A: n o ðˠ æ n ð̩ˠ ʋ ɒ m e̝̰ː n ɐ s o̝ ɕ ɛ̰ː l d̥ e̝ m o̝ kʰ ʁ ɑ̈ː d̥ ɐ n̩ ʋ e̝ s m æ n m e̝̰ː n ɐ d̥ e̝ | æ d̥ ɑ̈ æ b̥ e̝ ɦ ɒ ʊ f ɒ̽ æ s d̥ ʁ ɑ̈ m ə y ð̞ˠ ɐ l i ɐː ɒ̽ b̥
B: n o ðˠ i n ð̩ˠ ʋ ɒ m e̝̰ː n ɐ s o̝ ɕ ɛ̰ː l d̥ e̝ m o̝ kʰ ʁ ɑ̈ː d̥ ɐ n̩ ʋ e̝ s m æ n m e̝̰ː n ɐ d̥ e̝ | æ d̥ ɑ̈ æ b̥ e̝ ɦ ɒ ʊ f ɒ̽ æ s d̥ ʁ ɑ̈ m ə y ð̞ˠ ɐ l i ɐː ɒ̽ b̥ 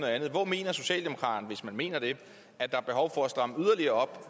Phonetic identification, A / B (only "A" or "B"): A